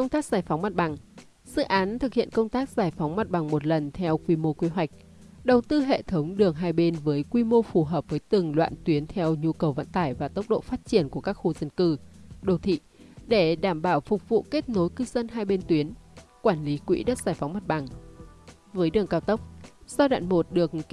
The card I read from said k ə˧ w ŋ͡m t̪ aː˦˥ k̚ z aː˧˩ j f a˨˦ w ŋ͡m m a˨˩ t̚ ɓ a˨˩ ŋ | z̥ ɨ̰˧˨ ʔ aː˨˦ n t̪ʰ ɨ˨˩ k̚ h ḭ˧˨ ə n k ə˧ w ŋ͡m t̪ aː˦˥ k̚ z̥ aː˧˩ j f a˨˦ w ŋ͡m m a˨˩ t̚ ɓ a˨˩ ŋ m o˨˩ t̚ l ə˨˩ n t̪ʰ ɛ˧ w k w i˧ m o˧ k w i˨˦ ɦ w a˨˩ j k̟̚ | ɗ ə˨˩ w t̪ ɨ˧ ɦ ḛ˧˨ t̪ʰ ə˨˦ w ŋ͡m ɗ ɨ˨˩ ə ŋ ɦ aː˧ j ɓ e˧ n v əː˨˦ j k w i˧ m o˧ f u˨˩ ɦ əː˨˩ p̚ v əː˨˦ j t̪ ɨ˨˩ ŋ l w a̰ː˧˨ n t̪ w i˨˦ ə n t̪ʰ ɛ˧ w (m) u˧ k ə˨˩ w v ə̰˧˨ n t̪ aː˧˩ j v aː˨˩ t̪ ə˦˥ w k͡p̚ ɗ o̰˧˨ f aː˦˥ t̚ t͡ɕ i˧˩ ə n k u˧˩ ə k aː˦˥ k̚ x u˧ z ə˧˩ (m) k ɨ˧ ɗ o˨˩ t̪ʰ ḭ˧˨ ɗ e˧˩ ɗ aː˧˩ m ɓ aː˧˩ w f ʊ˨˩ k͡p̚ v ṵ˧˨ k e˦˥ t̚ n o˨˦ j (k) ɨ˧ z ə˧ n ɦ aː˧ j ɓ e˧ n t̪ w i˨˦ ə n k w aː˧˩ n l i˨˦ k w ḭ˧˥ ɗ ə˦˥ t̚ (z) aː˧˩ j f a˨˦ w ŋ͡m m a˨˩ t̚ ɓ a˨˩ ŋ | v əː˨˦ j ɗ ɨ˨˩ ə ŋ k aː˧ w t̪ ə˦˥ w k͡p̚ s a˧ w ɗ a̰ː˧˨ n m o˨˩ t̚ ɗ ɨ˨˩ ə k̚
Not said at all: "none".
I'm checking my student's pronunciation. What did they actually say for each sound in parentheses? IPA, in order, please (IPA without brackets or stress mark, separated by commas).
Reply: ɲ, n, k, z